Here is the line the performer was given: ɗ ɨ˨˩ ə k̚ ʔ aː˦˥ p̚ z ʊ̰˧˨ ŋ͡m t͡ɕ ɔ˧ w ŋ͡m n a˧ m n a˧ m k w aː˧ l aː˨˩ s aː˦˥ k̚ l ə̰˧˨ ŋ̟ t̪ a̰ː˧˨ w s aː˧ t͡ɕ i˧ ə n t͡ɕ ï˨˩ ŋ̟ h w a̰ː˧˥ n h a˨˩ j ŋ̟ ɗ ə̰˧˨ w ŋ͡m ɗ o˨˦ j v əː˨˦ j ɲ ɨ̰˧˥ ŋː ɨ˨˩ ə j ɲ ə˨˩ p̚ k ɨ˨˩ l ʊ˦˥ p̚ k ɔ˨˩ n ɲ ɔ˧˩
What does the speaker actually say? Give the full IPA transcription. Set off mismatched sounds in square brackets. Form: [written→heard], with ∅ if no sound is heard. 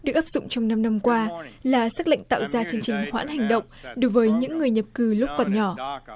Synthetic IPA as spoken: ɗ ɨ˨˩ ə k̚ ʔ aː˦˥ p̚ z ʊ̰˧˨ ŋ͡m t͡ɕ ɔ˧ w ŋ͡m n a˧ m n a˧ m k w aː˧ l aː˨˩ s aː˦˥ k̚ l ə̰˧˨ ŋ̟ t̪ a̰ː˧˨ w [s→z] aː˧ t͡ɕ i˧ ə n t͡ɕ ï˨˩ ŋ̟ h w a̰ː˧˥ n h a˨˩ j ŋ̟ ɗ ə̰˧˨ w ŋ͡m ɗ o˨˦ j v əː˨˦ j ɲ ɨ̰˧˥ ŋː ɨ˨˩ ə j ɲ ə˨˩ p̚ k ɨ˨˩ l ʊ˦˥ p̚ k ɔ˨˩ n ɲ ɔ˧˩